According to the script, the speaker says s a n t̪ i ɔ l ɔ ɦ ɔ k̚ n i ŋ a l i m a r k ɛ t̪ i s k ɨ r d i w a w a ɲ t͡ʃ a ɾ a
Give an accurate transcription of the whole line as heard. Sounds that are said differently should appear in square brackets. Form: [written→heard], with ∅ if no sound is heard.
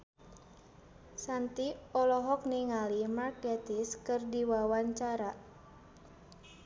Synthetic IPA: s a n t̪ i ɔ l ɔ ɦ ɔ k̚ n i ŋ a l i m a r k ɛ t̪ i s k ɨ r d i w a w a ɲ t͡ʃ a ɾ a